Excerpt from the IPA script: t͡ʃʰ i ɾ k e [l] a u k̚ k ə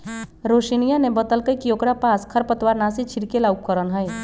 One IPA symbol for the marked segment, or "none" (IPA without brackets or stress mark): l